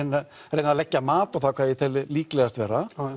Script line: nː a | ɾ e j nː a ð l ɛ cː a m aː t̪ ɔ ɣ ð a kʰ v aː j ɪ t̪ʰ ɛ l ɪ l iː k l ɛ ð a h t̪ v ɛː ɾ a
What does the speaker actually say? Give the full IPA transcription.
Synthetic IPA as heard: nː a | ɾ e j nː a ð l ɛ cː a m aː t̪ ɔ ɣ θ a kʰ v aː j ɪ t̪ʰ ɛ l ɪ l iː k l ɛ ɣ a s t̪ v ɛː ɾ a